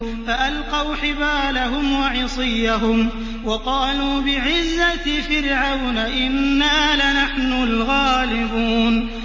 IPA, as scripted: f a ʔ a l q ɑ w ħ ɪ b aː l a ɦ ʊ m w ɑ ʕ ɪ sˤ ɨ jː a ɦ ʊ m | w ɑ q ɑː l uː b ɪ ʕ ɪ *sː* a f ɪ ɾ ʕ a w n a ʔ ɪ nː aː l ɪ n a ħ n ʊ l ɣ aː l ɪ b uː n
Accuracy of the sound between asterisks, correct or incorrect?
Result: incorrect